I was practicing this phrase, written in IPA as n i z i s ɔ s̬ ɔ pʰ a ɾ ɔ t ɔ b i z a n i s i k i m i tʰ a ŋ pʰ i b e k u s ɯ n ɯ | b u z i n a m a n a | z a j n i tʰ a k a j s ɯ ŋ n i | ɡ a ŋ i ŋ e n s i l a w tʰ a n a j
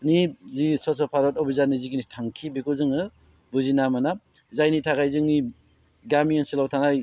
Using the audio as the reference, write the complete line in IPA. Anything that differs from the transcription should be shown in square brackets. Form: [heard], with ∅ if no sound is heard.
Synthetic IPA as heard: n i z i s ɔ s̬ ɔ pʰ a ɾ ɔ t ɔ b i z a n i [z] i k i [n] i tʰ a ŋ [kʰ] i b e k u [z] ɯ [ŋ] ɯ | b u z i n a m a n a | z a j n i tʰ a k a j [z] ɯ ŋ n i | ɡ a [m] i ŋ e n s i l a w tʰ a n a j

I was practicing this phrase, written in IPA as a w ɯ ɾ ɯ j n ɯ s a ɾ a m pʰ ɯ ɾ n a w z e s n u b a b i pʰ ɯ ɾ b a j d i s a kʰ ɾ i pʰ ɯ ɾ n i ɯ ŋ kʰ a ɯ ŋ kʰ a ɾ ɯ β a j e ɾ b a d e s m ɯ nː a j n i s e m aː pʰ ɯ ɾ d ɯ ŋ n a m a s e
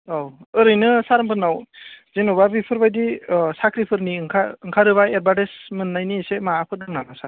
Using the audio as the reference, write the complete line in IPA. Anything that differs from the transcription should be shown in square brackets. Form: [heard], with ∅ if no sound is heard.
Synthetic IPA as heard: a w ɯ ɾ ɯ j n ɯ s a ɾ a m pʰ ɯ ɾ n a w z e [∅] n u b a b i pʰ ɯ ɾ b a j d i s a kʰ ɾ i pʰ ɯ ɾ n i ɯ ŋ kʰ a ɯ ŋ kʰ a ɾ ɯ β a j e ɾ b a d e s m ɯ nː a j n i s e m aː pʰ ɯ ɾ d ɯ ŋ n a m a s [a]

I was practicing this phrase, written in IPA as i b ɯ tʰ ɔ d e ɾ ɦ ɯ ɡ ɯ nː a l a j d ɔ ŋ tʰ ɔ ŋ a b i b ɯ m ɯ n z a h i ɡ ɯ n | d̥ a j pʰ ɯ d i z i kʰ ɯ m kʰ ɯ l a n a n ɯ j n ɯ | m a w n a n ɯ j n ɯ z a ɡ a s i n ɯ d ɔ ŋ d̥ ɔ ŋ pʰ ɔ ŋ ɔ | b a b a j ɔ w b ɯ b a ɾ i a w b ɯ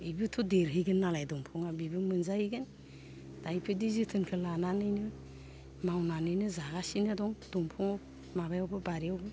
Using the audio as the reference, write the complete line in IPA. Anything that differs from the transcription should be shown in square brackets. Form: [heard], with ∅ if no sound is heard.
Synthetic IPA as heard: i b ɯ tʰ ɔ d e ɾ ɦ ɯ ɡ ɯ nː a l a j d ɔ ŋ [pʰ] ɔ ŋ a b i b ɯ m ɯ n z a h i ɡ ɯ n | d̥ a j pʰ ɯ d i z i [tʰ] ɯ [n] kʰ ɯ l a n a n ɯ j n ɯ | m a w n a n ɯ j n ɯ z a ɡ a s i n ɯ d ɔ ŋ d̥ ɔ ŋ pʰ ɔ ŋ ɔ | [m] a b a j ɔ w b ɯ b a ɾ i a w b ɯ

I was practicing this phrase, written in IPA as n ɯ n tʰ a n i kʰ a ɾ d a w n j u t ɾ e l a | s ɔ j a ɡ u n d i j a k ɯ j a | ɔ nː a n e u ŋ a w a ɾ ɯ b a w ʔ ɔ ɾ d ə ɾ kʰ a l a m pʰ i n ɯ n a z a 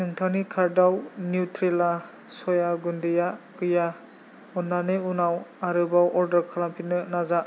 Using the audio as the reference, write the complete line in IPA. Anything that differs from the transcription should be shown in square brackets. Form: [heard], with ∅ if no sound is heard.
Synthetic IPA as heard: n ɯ [ŋ] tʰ a n i kʰ a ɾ d a w n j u t ɾ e l a | s ɔ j a ɡ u n d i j a k ɯ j a | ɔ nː a n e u [n] a w a ɾ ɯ b a w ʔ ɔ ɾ d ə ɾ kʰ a l a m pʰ i n ɯ n a z a

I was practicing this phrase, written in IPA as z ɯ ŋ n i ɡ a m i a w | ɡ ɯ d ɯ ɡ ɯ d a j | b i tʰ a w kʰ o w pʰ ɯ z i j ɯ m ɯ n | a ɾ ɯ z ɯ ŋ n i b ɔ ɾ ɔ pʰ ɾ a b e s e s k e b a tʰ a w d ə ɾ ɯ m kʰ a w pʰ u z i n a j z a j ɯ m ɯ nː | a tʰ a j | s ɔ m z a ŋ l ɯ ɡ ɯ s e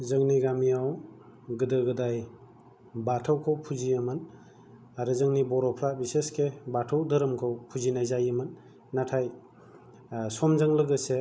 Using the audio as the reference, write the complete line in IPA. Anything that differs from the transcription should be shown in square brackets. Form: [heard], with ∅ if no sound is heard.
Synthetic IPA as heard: z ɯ ŋ n i ɡ a m i a w | ɡ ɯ d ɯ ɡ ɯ d a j | b [a] tʰ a w kʰ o w pʰ [u] z i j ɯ m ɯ n | a ɾ ɯ z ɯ ŋ n i b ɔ ɾ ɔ pʰ ɾ a b [i] s e s k e b a tʰ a w d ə ɾ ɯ m kʰ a w pʰ u z i n a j z a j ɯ m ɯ nː | a tʰ a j | s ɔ m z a ŋ l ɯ ɡ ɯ s e

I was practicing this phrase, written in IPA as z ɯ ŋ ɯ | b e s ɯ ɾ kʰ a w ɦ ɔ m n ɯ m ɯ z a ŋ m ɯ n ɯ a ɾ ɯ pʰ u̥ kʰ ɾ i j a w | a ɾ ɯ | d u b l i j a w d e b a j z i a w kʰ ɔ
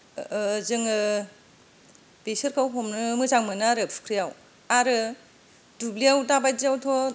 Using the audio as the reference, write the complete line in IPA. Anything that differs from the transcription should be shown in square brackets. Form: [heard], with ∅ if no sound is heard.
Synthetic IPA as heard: z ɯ ŋ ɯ | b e s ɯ ɾ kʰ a w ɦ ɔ m n ɯ m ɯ z a ŋ m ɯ n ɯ a ɾ ɯ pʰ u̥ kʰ ɾ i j a w | a ɾ ɯ | d u b l i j a w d [a] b a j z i a w [tʰ] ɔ

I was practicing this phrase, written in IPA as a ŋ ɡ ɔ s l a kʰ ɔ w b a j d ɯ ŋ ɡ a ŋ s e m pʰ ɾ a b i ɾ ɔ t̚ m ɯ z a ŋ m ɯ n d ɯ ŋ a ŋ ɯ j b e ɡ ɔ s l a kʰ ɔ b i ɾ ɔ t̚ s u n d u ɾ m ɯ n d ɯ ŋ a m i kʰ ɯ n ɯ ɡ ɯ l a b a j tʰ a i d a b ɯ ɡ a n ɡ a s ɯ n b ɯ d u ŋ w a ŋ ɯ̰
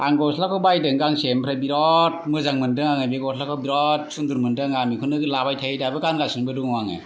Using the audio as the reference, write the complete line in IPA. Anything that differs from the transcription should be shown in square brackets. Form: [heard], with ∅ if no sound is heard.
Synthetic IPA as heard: a ŋ ɡ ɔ s l a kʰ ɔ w b a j d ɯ ŋ ɡ a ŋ s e m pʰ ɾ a b i ɾ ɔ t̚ m ɯ z a ŋ m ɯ n d ɯ ŋ a ŋ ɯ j b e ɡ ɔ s l a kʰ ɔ b i ɾ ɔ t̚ s u n d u ɾ m ɯ n d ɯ ŋ a m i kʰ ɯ n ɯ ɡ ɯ l a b a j tʰ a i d a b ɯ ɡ a n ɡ a s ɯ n b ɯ d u ŋ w a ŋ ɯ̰

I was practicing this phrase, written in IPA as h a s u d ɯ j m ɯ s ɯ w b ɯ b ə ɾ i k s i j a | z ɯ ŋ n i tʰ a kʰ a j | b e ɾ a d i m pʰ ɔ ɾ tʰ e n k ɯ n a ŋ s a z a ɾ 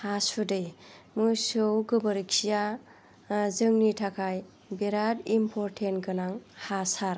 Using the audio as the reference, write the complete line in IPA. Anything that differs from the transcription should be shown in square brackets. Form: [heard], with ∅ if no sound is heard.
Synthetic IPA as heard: h a s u d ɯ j m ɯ s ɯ w [ɡ] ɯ b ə ɾ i k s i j a | z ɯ ŋ n i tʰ a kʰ a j | b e ɾ a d i m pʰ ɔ ɾ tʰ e n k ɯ n a ŋ [h] a [s] a ɾ

